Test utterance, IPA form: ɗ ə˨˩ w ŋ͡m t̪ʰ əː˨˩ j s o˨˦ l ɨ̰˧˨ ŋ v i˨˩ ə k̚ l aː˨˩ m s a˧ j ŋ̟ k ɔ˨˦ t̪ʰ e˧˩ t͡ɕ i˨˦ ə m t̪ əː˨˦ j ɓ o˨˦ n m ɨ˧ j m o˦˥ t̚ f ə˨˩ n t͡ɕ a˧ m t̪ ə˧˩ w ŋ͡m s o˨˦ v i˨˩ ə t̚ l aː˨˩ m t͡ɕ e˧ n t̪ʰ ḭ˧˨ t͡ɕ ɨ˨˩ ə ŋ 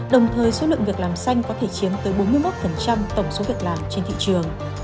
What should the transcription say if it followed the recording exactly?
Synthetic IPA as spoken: ɗ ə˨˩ w ŋ͡m t̪ʰ əː˨˩ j s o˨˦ l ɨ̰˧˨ ŋ v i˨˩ ə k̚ l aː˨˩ m s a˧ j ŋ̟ k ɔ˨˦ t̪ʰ e˧˩ t͡ɕ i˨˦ ə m t̪ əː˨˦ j ɓ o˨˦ n m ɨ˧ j m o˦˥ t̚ f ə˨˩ n t͡ɕ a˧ m t̪ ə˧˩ w ŋ͡m s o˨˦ v i˨˩ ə k̚ l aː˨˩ m t͡ɕ e˧ n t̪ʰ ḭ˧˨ t͡ɕ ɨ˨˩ ə ŋ